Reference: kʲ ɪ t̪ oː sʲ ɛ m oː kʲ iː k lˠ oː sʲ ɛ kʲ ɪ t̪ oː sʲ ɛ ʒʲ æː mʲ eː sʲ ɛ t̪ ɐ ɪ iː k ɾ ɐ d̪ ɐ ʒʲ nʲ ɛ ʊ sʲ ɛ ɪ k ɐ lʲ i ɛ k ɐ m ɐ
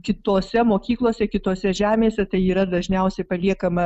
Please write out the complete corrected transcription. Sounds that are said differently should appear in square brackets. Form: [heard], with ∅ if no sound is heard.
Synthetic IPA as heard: kʲ ɪ t̪ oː sʲ ɛ m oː kʲ iː k lˠ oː sʲ ɛ kʲ ɪ t̪ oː sʲ ɛ ʒʲ æː mʲ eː sʲ ɛ t̪ ɐ ɪ iː [∅] ɾ ɐ d̪ ɐ ʒʲ nʲ ɛ ʊ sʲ ɛ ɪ [p] ɐ lʲ i ɛ k ɐ m ɐ

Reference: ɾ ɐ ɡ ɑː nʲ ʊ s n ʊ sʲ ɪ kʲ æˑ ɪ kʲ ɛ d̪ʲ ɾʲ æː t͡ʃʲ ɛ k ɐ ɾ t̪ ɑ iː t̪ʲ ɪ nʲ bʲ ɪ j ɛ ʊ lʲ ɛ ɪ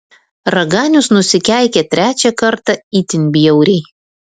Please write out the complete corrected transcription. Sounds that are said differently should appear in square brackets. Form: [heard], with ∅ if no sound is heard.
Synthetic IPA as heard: ɾ ɐ ɡ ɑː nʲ ʊ s n ʊ sʲ ɪ kʲ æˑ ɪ kʲ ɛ [t̪ʲ] ɾʲ æː t͡ʃʲ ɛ k ɐ ɾ t̪ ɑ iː t̪ʲ ɪ nʲ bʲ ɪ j ɛ ʊ [ɾʲ] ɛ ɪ

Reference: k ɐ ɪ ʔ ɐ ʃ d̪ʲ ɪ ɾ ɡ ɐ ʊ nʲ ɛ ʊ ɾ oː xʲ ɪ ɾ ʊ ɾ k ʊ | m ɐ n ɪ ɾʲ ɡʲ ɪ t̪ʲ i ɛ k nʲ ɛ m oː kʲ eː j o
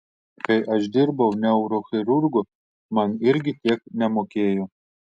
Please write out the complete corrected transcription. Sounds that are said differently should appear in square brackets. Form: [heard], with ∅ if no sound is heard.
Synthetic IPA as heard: k ɐ ɪ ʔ ɐ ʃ d̪ʲ ɪ ɾ [b] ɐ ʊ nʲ ɛ ʊ ɾ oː xʲ ɪ ɾ ʊ ɾ [ɡ] ʊ | m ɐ n ɪ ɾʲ ɡʲ ɪ t̪ʲ i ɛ k nʲ ɛ m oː kʲ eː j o

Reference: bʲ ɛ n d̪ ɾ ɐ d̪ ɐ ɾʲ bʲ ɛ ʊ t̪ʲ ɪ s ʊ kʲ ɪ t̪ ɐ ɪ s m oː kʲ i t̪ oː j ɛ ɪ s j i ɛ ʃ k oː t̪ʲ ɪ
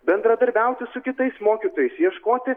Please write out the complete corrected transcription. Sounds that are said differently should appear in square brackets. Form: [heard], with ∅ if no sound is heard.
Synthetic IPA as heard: bʲ ɛ n d̪ ɾ ɐ d̪ ɐ ɾʲ bʲ ɛ ʊ t̪ʲ ɪ s ʊ kʲ ɪ t̪ ɐ ɪ s m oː kʲ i t̪ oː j ɛ ɪ s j i ɛ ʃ k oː t̪ʲ ɪ

